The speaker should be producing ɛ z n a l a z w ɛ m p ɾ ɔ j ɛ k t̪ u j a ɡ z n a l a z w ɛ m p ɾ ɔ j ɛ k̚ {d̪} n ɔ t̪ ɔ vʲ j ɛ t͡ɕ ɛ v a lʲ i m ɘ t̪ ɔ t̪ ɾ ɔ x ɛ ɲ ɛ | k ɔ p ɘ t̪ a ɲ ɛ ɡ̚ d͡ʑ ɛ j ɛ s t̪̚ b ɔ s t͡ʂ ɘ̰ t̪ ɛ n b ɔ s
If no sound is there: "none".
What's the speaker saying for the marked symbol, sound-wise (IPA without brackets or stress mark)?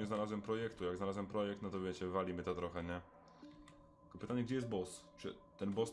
t̪